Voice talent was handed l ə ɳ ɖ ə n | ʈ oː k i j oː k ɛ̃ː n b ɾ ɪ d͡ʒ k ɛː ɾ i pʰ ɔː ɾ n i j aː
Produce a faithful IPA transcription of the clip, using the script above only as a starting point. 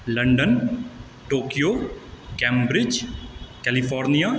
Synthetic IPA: l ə ɳ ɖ ə n | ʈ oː k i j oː k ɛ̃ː m b ɾ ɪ d͡ʒ k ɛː l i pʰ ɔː ɾ n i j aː